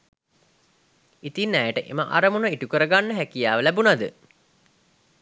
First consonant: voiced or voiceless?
voiceless